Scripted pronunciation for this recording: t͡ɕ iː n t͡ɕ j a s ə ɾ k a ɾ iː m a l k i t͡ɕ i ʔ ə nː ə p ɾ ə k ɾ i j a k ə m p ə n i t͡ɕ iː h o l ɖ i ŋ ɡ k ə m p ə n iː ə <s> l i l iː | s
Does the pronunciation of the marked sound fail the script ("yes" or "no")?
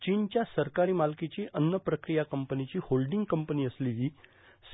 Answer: no